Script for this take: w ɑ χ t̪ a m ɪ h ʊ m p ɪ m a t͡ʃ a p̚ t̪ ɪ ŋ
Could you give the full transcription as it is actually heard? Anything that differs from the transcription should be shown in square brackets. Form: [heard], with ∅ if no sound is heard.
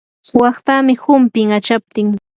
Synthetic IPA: w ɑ χ t̪ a m ɪ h ʊ m p ɪ [ŋ] a t͡ʃ a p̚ t̪ ɪ ŋ